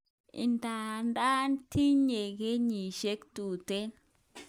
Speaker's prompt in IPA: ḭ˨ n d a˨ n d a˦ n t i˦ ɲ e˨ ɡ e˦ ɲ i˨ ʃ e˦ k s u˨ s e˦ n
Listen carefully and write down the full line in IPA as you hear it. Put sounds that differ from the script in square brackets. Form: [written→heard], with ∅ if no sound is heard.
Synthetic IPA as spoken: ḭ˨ n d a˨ n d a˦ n t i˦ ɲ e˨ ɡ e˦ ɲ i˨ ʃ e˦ k [s→t] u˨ [s→t] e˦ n